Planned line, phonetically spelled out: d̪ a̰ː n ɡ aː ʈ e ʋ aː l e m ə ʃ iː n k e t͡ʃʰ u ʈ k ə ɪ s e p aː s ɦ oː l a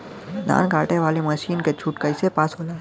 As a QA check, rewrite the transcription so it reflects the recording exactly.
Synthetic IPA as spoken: d̪ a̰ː n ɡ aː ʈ e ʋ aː l e m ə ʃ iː n k e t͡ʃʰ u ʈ k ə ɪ s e p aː s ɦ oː l a